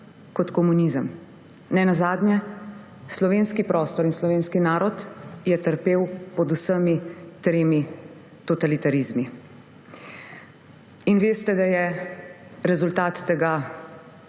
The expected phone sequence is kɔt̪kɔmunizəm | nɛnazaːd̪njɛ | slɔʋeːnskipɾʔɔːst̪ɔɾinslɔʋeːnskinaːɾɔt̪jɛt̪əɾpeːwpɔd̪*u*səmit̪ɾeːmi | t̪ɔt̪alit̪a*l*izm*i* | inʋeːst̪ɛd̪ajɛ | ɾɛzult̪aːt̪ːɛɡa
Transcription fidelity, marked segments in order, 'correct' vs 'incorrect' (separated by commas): correct, incorrect, correct